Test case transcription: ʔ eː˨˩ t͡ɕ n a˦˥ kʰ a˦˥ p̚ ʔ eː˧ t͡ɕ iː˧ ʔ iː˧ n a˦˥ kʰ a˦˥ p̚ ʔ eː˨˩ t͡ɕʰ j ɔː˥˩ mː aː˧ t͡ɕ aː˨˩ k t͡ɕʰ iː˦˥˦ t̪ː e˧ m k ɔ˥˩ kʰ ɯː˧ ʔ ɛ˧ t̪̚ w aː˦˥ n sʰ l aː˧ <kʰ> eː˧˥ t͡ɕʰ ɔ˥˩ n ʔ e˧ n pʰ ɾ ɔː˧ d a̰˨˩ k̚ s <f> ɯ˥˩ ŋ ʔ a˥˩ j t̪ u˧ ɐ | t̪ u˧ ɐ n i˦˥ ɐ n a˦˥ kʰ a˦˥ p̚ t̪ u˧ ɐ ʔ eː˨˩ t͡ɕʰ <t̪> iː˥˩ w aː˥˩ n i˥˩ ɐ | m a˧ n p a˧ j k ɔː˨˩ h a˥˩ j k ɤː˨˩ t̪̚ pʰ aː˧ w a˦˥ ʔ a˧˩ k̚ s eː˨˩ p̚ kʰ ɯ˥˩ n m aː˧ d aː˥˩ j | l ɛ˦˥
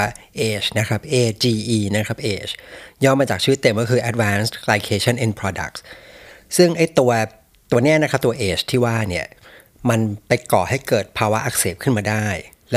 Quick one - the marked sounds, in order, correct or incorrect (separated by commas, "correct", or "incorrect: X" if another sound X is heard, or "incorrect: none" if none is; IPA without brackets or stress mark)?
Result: correct, incorrect: s, incorrect: t̪ʰ